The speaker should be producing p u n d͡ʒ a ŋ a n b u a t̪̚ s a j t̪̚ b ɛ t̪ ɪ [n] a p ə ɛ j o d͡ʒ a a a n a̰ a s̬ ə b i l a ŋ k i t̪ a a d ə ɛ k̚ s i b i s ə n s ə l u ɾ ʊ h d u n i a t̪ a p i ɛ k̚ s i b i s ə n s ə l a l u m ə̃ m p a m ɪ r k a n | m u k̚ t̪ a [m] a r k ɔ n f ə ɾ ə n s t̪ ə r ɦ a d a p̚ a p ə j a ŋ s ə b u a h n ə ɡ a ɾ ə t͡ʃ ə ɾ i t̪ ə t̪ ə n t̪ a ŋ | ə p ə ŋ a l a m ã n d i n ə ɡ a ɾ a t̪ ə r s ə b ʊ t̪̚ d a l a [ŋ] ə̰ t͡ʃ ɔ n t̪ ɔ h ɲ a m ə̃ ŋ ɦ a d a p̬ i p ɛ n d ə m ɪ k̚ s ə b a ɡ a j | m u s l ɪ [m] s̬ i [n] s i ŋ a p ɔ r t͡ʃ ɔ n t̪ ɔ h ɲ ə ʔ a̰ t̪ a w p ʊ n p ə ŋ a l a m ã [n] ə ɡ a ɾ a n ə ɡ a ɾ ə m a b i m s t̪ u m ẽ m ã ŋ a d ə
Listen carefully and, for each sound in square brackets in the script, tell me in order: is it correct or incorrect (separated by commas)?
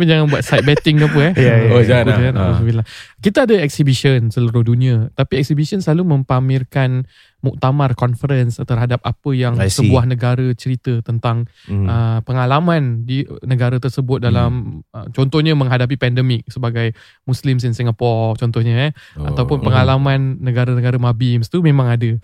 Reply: incorrect, correct, incorrect, correct, correct, incorrect